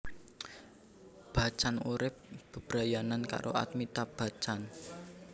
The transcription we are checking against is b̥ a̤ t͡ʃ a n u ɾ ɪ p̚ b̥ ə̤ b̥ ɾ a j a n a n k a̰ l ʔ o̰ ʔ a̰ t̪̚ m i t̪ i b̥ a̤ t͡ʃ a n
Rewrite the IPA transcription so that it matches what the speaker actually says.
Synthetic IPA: b̥ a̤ t͡ʃ a n u ɾ ɪ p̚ b̥ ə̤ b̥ ɾ a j a n a n k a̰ ɾ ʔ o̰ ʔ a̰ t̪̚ m i t̪ a b̥ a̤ t͡ʃ a n